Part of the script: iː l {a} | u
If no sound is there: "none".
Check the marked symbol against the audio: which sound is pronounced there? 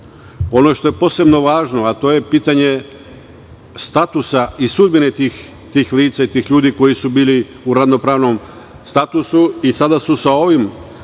i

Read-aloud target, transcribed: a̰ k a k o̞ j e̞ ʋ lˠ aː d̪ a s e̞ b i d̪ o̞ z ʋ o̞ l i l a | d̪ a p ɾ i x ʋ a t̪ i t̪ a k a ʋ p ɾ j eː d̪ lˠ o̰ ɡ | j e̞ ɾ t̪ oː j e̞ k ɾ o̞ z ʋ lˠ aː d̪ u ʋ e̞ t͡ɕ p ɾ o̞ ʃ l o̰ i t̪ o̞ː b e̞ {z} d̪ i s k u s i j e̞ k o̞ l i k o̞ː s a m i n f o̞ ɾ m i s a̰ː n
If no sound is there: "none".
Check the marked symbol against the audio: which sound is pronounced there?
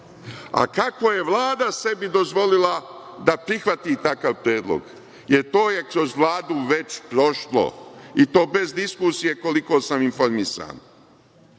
z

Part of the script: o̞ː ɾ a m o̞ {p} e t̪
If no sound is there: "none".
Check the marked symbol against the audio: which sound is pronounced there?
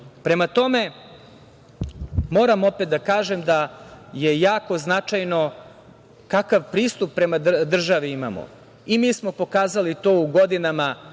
p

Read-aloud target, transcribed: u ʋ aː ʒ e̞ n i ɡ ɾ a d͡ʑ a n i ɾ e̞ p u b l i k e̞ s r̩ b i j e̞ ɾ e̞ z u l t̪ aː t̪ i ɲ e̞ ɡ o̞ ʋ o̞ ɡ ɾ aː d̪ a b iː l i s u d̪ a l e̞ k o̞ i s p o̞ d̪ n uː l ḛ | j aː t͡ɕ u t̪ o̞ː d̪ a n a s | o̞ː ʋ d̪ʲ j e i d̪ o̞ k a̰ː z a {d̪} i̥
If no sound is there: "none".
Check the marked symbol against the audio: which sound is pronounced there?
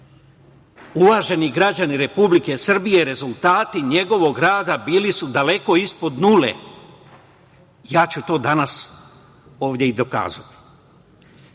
t̪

